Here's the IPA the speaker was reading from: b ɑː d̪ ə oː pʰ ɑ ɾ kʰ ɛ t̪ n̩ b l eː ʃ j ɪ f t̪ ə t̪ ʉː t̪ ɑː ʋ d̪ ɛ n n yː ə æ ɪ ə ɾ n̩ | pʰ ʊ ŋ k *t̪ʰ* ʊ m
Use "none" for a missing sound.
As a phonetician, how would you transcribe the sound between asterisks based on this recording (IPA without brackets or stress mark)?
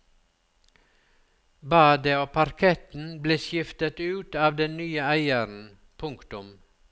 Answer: t̪